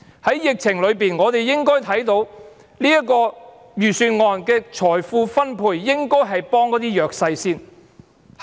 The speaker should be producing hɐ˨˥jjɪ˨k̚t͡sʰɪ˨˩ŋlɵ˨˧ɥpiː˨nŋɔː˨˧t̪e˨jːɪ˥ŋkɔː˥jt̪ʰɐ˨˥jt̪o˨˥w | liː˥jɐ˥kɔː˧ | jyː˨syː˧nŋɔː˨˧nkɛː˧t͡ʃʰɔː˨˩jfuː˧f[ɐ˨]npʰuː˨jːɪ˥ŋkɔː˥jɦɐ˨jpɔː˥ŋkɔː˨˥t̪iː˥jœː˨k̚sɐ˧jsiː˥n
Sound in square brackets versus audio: incorrect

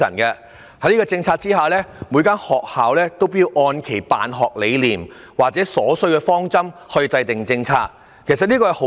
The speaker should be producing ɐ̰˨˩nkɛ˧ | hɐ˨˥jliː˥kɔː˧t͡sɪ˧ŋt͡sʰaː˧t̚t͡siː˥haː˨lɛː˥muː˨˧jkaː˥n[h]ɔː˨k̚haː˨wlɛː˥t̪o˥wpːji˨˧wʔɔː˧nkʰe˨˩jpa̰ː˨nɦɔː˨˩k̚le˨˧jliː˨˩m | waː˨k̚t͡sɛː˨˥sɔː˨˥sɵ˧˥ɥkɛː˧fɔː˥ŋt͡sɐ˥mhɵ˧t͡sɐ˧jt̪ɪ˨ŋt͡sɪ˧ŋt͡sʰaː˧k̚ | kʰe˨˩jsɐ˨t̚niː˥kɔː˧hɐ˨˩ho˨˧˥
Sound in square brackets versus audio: correct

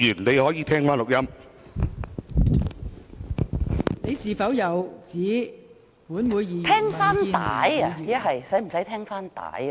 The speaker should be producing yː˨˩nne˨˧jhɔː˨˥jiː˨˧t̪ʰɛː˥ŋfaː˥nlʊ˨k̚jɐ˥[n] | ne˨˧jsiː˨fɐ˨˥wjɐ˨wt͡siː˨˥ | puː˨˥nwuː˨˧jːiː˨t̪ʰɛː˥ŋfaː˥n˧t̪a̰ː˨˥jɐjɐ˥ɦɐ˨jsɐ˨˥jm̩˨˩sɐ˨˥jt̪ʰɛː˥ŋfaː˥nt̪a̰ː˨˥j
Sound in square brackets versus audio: incorrect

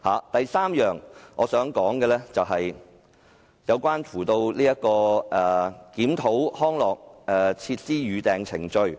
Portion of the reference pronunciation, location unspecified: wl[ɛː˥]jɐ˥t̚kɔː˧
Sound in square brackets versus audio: incorrect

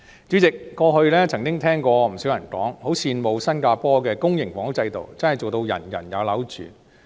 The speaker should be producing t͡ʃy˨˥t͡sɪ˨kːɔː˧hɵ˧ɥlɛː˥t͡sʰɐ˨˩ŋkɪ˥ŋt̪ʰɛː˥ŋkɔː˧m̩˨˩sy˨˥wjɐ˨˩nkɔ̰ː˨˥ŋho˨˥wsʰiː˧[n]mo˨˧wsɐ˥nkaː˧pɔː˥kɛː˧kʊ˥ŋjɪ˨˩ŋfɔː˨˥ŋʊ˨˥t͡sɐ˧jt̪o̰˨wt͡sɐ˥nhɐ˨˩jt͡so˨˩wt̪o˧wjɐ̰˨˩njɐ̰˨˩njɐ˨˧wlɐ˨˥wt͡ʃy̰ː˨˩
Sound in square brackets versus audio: correct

